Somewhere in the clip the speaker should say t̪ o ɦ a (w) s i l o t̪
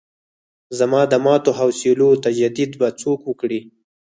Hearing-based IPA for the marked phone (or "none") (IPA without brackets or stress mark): w